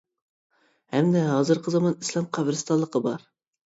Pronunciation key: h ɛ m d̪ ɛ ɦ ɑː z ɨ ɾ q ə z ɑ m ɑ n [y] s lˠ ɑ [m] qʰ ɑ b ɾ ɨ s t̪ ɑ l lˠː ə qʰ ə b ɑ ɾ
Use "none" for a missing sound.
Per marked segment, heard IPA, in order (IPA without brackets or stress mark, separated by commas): i, m